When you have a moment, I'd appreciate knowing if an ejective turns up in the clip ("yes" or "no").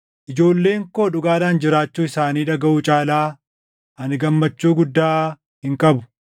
yes